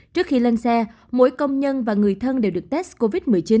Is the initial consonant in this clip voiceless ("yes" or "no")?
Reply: yes